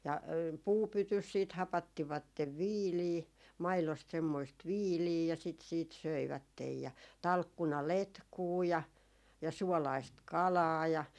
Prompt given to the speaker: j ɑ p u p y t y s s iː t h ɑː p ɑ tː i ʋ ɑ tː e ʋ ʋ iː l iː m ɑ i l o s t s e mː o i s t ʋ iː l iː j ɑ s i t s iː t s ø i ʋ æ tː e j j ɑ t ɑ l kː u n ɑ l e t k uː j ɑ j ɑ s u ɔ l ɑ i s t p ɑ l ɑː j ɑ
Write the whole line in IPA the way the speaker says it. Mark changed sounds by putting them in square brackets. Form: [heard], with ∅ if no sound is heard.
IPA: j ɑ p [uː] p y t y s s iː t h [ɑ] p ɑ tː i ʋ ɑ tː e ʋ ʋ iː l iː m ɑ i l o s t s e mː o i s t ʋ iː l iː j ɑ s i t s iː t s ø i ʋ æ tː e j j ɑ t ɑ l kː u n ɑ l e t k uː j ɑ j ɑ s u ɔ l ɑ i s t [k] ɑ l ɑː j ɑ

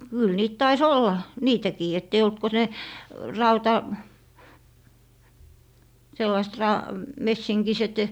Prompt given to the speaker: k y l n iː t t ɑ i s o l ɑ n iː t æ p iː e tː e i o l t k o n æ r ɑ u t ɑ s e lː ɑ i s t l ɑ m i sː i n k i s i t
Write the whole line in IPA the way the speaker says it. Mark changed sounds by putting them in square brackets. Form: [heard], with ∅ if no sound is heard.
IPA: k y l n iː t t ɑ i s o [lː] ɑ n iː t æ [k] iː e tː e i o l t k o n [e] r ɑ u t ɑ s e lː ɑ i s t [r] ɑ m [e] sː i [ŋ] k i s [e] t

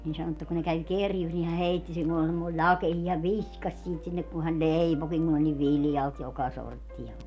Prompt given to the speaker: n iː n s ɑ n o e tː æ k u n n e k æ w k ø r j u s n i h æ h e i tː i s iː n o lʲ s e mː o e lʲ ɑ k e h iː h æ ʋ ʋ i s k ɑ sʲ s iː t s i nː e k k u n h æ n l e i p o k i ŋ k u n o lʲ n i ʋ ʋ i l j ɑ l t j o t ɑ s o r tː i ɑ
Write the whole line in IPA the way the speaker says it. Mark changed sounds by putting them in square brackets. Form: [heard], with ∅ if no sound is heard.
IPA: n iː n s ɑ n o e tː æ k u n n e k æ w k [e] r j u s n i h æ h e i tː i s iː n o lʲ s e mː o [i] lʲ ɑ k e h iː h æ ʋ ʋ i s k ɑ sʲ s iː t s i nː e k k u n h æ n l e i p o k i ŋ k u n o lʲ n i ʋ ʋ i l j ɑ l t j o [k] ɑ s o r tː i ɑ

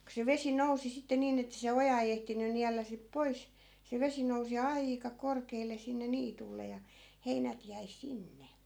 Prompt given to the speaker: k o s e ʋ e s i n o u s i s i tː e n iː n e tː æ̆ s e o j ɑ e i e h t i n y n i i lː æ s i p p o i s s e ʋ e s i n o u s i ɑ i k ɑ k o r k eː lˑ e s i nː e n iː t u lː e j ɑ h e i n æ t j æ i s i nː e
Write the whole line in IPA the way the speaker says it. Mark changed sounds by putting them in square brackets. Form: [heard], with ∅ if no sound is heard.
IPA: k o s e ʋ e s i n o u s i s i tː e n iː n e tː æ̆ s e o j ɑ e i e h t i n y n i [æ] lː æ s i p p o i s s e ʋ e s i n o u s i ɑ i k ɑ k o r k eː lˑ e s i nː e n iː t u lː e j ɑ h e i n æ t j æ i s i nː e

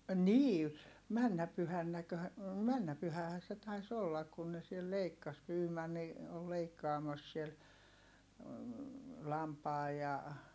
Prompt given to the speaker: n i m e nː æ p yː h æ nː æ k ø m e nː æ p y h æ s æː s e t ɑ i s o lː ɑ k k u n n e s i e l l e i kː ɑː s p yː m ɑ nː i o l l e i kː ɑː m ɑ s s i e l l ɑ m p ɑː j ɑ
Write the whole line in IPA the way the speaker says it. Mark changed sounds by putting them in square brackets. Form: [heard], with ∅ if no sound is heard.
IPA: n [iː] m [æ] nː æ p [y] h æ nː æ k ø m [æ] nː æ p y h æ [h] æː s e t ɑ i s o lː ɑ k k u n n e s i e l l e i kː [ɑ] s p yː m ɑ nː i o l l e i kː ɑː m ɑ s s i e l l ɑ m p ɑː j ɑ

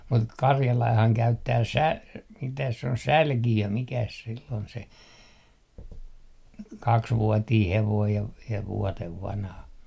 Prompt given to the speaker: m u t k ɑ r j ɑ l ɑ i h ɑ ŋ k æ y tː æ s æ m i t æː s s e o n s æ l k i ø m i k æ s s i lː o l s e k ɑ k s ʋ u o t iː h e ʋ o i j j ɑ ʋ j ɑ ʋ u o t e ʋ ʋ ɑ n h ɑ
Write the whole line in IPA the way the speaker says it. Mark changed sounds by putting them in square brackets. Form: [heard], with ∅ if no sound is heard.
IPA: m u t k ɑ r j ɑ l ɑ i h ɑ ŋ k æ y tː [æː] s æ m i t [æ] s s e o n s æ l k i ø m i k æ s s i lː o l s e k ɑ k s ʋ u o t iː h e ʋ o i j j ɑ ʋ j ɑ ʋ u o t e ʋ ʋ ɑ n h ɑ

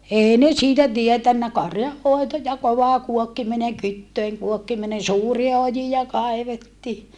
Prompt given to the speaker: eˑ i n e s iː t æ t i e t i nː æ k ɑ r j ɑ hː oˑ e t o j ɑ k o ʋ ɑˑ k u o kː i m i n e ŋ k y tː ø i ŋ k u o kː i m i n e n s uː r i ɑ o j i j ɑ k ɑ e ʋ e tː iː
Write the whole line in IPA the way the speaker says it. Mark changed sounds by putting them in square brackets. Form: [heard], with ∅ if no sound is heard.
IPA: eˑ i n e s iː t æ t i e t [æ] nː æ k ɑ r j ɑ hː oˑ e t o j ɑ k o ʋ ɑˑ k u o kː i m i n e ŋ k y tː ø i ŋ k u o kː i m i n e n s uː r i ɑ o j i j ɑ k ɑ e ʋ e tː iː

